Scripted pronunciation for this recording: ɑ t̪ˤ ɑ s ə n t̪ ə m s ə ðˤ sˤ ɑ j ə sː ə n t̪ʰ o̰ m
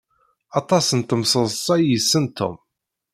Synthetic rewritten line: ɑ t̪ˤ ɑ s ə n t̪ ə m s ə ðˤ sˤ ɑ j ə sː ə n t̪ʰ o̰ m